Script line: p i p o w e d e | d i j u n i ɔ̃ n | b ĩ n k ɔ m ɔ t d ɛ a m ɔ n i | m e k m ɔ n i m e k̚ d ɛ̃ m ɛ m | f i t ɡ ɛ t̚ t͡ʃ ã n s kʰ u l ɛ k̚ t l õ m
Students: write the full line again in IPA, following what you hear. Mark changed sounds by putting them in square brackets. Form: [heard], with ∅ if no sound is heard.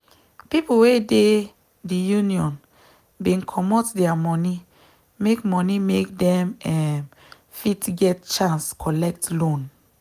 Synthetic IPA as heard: p i p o w e d e | d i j u n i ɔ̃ n | b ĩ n [kʰ] ɔ m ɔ t d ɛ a m ɔ n i | m e k m ɔ n i m e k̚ d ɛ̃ m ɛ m | f i t ɡ ɛ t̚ t͡ʃ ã n s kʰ [ɔ] l ɛ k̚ t l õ [n]